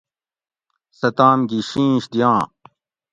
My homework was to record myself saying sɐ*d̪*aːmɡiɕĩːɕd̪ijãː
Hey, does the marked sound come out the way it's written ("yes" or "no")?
no